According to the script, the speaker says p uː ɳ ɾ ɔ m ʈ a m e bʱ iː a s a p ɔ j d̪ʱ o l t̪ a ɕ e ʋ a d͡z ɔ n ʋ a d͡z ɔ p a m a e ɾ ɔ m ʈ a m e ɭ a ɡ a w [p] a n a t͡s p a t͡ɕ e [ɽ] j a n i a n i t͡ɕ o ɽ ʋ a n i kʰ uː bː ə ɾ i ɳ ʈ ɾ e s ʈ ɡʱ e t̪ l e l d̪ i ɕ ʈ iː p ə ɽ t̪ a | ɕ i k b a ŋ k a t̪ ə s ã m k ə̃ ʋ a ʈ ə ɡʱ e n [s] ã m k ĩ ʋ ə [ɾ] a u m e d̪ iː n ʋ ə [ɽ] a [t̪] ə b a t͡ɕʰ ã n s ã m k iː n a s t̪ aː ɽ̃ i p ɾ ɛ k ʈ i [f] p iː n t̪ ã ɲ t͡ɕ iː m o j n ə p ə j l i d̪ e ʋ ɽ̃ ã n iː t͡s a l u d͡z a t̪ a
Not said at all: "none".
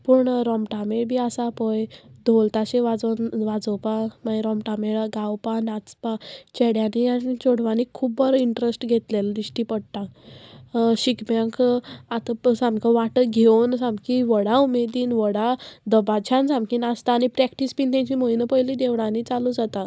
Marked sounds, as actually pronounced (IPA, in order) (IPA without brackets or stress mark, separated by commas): p, ɽ, s, ɽ, ɽ, d̪, s